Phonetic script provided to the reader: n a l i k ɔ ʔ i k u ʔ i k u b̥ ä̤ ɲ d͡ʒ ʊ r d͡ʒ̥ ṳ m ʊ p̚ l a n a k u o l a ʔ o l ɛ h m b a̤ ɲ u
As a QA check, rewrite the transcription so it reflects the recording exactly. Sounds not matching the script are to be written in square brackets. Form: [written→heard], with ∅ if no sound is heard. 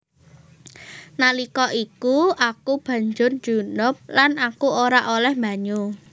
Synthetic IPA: n a l i k ɔ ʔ i k u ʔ [i→a] k u b̥ ä̤ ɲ d͡ʒ ʊ r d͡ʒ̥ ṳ [m→n] ʊ p̚ l a n a k u o [l→ɾ] a ʔ o l ɛ h m b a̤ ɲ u